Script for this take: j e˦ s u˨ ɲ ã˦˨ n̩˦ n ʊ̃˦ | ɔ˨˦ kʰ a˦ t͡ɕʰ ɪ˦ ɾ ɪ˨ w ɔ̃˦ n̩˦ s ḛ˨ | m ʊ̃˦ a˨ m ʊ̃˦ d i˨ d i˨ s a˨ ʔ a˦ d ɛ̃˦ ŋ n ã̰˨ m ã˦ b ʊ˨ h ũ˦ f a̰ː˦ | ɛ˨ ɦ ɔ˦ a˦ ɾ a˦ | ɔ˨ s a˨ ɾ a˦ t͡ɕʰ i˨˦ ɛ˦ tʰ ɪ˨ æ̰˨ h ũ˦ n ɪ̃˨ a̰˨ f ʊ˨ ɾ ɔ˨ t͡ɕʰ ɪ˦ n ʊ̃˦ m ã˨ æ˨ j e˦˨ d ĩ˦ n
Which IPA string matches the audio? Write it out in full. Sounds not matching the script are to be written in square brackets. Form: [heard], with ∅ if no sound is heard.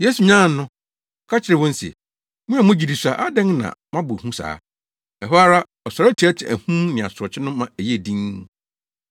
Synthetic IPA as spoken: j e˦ s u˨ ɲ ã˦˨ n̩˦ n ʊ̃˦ | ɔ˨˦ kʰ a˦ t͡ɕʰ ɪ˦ ɾ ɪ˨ w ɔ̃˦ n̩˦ s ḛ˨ | m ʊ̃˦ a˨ m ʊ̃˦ [d͡ʑ] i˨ d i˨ s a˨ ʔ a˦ d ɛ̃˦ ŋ n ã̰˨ m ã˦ b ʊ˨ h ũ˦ [s] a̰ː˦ | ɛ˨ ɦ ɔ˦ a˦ ɾ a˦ | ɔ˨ s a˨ ɾ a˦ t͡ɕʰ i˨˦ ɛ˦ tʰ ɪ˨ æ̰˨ h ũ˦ n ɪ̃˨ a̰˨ [s] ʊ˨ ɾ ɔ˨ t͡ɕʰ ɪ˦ n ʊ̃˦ m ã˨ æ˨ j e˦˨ d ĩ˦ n

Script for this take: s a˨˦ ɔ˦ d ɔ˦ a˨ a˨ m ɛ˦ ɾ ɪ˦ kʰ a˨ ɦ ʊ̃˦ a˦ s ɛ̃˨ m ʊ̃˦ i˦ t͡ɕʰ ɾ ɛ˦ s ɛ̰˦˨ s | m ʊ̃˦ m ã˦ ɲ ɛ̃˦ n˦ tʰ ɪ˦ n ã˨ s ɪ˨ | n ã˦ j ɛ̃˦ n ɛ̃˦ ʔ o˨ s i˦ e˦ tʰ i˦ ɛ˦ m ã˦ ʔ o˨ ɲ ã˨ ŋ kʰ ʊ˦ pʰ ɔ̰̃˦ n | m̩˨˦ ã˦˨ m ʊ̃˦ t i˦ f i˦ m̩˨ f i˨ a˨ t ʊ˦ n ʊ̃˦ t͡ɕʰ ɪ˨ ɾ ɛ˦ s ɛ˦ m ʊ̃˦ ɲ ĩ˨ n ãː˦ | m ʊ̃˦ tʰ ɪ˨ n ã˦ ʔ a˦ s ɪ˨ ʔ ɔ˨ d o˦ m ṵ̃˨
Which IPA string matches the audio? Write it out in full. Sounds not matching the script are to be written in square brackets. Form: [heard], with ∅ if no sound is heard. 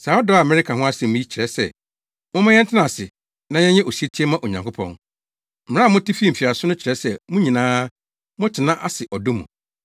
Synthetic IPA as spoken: s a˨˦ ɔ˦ d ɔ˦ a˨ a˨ m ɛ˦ ɾ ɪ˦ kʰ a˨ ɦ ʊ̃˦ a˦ s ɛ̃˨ m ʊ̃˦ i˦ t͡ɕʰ ɾ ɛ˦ s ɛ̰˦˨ [∅] | m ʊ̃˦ m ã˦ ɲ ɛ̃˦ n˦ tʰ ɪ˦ n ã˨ s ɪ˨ | n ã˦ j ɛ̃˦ [ɲ] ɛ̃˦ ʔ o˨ s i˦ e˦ tʰ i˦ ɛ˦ m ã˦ ʔ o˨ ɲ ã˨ ŋ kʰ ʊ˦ pʰ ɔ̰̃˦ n | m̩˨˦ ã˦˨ m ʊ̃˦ t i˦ f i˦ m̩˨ f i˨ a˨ [s] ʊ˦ n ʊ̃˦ t͡ɕʰ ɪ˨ ɾ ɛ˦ s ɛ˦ m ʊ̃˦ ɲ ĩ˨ n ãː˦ | m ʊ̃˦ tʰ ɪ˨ n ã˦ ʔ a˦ s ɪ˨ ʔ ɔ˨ d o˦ m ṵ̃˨

